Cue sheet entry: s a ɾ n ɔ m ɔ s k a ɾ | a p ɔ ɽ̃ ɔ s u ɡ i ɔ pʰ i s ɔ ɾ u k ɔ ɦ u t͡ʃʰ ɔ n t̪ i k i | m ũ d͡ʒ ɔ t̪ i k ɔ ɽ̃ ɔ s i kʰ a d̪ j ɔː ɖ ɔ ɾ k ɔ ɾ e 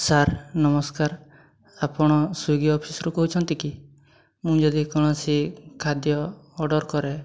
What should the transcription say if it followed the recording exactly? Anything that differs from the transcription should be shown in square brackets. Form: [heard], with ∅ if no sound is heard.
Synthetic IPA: s a ɾ n ɔ m ɔ s k a ɾ | a p ɔ ɽ̃ ɔ s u ɡ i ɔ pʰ i s ɔ ɾ u k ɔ ɦ u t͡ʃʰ ɔ n t̪ i k i | m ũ d͡ʒ ɔ [d̪] i k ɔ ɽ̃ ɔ s i kʰ a d̪ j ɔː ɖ ɔ ɾ k ɔ ɾ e

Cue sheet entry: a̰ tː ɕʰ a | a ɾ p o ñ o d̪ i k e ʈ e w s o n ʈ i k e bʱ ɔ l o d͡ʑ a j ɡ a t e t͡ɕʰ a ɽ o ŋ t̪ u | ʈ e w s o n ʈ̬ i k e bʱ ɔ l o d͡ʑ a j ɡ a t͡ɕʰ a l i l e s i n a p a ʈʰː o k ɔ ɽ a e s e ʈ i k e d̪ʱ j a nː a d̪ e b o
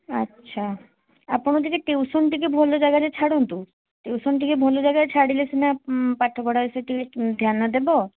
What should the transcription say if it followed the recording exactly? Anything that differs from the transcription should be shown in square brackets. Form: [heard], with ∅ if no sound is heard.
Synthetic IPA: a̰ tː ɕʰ a | a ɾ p o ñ o d̪ i k e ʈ e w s o n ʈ i k e bʱ ɔ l o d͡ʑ a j ɡ a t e t͡ɕʰ a ɽ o [n] t̪ u | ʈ e w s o n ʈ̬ i k e bʱ ɔ l o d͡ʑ a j ɡ a t͡ɕʰ a [ɽ] i l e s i n a p a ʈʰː o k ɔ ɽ a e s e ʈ i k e d̪ʱ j a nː a d̪ e b o

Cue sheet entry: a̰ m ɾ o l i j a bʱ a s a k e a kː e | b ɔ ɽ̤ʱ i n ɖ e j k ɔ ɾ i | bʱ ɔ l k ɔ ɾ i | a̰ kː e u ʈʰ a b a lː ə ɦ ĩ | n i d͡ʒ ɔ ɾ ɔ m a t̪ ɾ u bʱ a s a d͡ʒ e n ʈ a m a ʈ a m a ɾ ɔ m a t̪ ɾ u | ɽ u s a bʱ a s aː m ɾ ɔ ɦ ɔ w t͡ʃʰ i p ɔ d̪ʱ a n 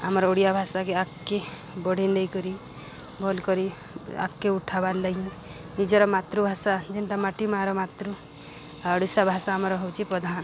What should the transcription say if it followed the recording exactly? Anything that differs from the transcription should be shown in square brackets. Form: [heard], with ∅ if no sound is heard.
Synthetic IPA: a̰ m ɾ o [ɽ] i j a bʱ a s a k e a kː e | b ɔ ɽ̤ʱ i n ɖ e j k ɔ ɾ i | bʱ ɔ l k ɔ ɾ i | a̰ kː e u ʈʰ a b a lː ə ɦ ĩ | n i d͡ʒ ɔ ɾ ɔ m a t̪ ɾ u bʱ a s a d͡ʒ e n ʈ a m a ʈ [i] m a ɾ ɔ m a t̪ ɾ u | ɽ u s a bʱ a s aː m ɾ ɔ ɦ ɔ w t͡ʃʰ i p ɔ d̪ʱ a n

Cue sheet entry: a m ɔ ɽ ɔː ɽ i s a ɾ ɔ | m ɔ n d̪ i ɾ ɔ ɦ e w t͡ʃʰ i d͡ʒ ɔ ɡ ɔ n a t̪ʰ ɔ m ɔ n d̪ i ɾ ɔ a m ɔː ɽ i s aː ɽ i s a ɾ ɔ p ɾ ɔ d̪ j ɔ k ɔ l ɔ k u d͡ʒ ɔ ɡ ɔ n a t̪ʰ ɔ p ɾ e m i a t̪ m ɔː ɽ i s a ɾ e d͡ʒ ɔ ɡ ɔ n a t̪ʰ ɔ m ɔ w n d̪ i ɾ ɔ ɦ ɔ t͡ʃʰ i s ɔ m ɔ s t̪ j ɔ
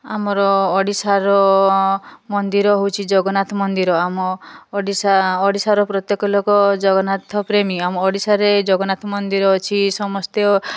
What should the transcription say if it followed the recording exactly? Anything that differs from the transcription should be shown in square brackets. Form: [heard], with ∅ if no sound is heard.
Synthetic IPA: a m ɔ [ɾ] ɔː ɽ i s a ɾ ɔ | m ɔ n d̪ i ɾ ɔ ɦ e w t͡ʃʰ i d͡ʒ ɔ ɡ ɔ n a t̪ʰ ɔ m ɔ n d̪ i ɾ ɔ a m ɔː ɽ i s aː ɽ i s a ɾ ɔ p ɾ ɔ [t̪] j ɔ k ɔ l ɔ k [ɔ] d͡ʒ ɔ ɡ ɔ n a t̪ʰ ɔ p ɾ e m i a [∅] m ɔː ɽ i s a ɾ e d͡ʒ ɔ ɡ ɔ n a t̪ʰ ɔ m ɔ [∅] n d̪ i ɾ ɔ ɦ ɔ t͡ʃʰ i s ɔ m ɔ s t̪ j ɔ

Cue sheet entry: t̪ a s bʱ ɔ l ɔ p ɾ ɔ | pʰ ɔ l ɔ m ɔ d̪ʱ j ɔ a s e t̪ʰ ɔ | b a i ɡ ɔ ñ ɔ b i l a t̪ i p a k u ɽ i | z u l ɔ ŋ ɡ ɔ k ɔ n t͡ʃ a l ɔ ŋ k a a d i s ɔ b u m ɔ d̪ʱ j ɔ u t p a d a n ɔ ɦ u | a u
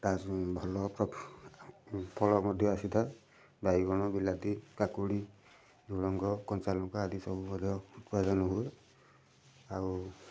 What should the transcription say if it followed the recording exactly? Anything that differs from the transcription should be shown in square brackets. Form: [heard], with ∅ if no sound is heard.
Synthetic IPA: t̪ a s bʱ ɔ l ɔ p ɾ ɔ | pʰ ɔ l ɔ m ɔ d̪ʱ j ɔ a s [i] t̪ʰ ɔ | b a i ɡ ɔ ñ ɔ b i l a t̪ i [k] a k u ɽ i | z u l ɔ ŋ ɡ ɔ k ɔ n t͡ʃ a l ɔ ŋ k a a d i s ɔ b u m ɔ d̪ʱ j ɔ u t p a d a n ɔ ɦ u | a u

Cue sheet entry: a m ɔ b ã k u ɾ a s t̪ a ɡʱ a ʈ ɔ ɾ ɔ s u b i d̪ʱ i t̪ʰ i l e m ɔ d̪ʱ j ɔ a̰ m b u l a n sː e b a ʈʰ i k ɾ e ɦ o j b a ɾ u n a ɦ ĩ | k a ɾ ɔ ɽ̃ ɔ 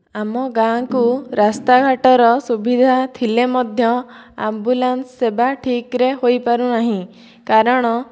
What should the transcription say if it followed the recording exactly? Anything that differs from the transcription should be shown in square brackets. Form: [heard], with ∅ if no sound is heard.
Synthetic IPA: a m ɔ [ɡ] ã k u ɾ a s t̪ a ɡʱ a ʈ ɔ ɾ ɔ s u b i d̪ʱ [a] t̪ʰ i l e m ɔ d̪ʱ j ɔ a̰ m b u l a n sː e b a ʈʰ i k ɾ e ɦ o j [p] a ɾ u n a ɦ ĩ | k a ɾ ɔ ɽ̃ ɔ

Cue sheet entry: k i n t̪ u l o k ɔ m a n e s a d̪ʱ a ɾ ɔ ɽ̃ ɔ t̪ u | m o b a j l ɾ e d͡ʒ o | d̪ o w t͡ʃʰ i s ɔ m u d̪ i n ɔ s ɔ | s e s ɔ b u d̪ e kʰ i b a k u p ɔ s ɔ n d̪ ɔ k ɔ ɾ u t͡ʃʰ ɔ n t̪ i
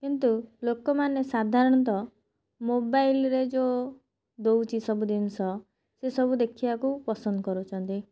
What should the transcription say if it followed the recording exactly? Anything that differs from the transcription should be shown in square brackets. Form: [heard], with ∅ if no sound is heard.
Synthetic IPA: k i n t̪ u l o k ɔ m a n e s a d̪ʱ a ɾ ɔ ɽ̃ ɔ t̪ [ɔ] | m o b a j l ɾ e d͡ʒ o | d̪ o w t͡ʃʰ i s ɔ [b] u d̪ i n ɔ s ɔ | s e s ɔ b u d̪ e kʰ i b a k u p ɔ s ɔ n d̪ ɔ k ɔ ɾ u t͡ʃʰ ɔ n t̪ i

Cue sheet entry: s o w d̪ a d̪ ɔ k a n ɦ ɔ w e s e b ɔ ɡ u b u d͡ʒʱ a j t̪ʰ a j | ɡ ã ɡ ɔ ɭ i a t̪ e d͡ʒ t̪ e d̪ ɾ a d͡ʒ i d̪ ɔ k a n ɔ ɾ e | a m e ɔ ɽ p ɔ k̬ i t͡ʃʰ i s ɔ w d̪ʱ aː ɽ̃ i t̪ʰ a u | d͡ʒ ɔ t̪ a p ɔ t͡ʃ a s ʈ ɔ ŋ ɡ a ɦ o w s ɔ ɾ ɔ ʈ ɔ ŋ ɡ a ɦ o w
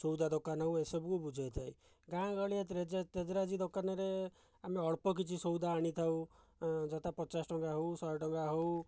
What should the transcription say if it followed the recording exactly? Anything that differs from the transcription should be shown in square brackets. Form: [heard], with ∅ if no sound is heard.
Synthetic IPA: s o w d̪ a d̪ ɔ k a n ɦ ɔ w e s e b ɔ [k] u b u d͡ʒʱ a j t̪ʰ a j | ɡ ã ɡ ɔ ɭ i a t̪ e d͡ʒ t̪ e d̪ ɾ a d͡ʒ i d̪ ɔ k a n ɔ ɾ e | a m e ɔ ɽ p ɔ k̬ i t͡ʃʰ i s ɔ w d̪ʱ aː ɽ̃ i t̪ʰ a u | d͡ʒ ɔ t̪ a p ɔ t͡ʃ a s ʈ ɔ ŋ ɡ a ɦ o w s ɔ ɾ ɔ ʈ ɔ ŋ ɡ a ɦ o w

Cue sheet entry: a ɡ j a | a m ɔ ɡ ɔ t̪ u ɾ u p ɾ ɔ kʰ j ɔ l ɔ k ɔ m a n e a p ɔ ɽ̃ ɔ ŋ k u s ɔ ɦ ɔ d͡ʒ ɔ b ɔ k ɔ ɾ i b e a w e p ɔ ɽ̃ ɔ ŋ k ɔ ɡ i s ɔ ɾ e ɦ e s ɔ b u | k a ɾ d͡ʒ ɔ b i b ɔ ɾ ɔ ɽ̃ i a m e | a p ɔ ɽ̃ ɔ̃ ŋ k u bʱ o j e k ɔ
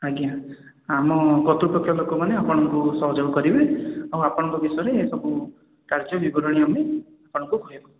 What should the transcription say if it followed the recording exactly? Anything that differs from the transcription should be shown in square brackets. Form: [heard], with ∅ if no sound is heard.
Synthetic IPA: a ɡ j a | a m ɔ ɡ ɔ t̪ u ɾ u p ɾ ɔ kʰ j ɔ l [o] k ɔ m a n e a p ɔ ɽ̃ ɔ ŋ k u s ɔ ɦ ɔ d͡ʒ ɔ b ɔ k ɔ ɾ i b e a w [a] p ɔ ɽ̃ ɔ ŋ k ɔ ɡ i s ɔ ɾ e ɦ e s ɔ b u | k a ɾ d͡ʒ ɔ b i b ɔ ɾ ɔ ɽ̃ i a m e | a p ɔ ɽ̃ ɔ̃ ŋ k u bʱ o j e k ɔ

